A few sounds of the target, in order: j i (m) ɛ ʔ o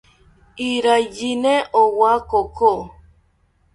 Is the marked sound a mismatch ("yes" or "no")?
yes